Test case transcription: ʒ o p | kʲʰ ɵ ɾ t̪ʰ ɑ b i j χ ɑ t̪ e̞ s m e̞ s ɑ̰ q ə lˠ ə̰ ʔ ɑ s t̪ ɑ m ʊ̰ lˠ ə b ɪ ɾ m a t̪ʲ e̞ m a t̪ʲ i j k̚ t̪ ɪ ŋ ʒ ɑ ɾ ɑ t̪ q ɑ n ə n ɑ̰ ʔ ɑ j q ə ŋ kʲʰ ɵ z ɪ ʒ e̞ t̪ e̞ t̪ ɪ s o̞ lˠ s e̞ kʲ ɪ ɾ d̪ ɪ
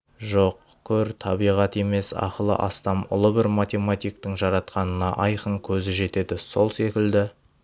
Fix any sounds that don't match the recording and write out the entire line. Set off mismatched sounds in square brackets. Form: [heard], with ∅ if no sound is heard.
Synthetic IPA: ʒ o [q] | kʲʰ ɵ ɾ t̪ʰ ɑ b i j [ʁ] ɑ t̪ e̞ [∅] m e̞ s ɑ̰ q ə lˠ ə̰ ʔ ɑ s t̪ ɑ m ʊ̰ lˠ ə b ɪ ɾ m a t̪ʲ e̞ m a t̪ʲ i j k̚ t̪ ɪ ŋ ʒ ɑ ɾ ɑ t̪ q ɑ n ə n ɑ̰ ʔ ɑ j q ə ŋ kʲʰ ɵ z ɪ ʒ e̞ t̪ e̞ [d̪] ɪ s o̞ lˠ s e̞ kʲ ɪ [l] d̪ ɪ